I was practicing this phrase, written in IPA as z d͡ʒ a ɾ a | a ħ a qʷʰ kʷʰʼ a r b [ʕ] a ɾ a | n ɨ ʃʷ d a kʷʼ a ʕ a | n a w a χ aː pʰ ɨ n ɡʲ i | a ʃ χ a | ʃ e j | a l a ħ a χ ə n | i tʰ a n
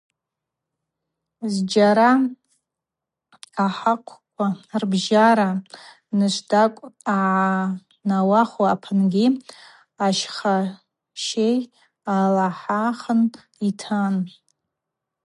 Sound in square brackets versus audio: incorrect: ʒ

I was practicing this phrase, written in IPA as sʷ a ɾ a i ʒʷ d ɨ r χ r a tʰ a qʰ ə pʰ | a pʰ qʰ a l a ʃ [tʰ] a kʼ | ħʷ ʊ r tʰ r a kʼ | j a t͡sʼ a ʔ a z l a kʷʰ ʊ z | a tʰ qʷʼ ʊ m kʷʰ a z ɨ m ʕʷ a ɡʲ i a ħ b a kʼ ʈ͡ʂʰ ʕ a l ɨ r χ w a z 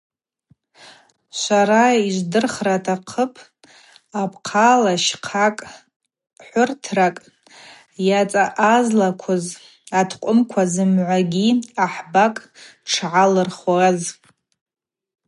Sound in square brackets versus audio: incorrect: qʰ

